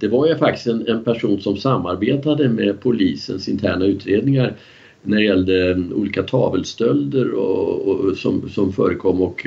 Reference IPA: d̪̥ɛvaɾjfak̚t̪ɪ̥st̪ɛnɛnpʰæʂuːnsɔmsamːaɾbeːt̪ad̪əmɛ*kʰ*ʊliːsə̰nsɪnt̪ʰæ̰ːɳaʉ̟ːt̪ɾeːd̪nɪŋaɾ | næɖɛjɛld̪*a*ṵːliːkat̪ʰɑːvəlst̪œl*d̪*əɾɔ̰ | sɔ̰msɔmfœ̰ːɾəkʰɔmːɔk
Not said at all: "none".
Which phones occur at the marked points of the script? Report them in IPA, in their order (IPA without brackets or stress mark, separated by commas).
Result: pʰ, ə, d̪